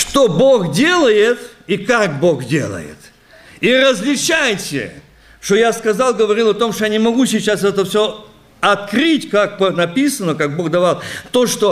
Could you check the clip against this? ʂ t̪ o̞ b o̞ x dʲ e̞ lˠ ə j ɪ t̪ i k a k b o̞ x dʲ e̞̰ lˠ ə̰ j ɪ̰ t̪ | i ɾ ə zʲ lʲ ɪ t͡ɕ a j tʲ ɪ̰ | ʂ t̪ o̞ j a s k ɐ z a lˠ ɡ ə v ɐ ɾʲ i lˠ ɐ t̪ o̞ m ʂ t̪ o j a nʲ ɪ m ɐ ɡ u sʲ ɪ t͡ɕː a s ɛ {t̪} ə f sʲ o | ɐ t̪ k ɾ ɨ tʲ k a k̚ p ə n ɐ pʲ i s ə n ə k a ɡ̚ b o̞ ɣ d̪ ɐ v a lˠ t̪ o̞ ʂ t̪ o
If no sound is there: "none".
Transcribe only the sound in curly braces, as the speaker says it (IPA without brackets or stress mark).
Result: t̪